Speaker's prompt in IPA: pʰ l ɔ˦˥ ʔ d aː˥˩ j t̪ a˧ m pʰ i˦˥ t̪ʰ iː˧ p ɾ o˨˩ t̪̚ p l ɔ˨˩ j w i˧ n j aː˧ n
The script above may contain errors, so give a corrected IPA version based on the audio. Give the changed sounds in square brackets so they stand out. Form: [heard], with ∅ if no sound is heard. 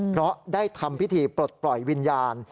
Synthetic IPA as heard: pʰ [ɾ] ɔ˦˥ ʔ d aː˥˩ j [t̪ʰ] a˧ m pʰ i˦˥ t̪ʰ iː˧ p ɾ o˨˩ t̪̚ p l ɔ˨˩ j w i˧ n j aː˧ n